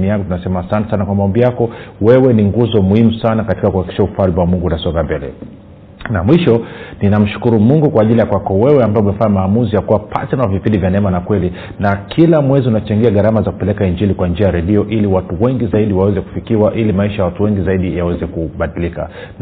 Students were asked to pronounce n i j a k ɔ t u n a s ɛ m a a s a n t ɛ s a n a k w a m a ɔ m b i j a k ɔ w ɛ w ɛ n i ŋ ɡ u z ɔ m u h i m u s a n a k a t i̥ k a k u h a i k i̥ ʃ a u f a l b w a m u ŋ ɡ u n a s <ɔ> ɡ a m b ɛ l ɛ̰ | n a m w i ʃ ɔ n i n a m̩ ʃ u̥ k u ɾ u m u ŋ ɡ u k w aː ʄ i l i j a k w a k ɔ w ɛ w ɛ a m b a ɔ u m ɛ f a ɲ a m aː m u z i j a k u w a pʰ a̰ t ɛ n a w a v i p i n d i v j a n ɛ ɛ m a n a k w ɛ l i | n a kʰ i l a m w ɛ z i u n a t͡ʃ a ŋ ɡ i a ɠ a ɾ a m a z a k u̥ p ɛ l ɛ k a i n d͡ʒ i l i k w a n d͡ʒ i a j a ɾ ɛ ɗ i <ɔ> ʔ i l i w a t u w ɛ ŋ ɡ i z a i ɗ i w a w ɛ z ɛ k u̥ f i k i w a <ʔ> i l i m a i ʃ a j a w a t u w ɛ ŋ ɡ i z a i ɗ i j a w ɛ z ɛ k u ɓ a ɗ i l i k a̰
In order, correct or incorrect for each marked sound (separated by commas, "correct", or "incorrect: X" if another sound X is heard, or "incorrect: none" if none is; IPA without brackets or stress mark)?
correct, correct, correct